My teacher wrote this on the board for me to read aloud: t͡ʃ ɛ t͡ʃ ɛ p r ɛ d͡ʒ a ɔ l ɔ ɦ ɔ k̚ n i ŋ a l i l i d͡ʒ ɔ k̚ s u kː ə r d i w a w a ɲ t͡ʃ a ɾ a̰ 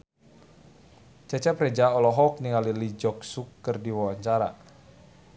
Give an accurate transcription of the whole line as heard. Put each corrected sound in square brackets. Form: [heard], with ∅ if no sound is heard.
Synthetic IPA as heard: t͡ʃ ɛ t͡ʃ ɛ p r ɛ d͡ʒ a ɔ l ɔ ɦ ɔ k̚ n i ŋ a l i l i d͡ʒ ɔ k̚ s u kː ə r d i w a w a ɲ t͡ʃ a ɾ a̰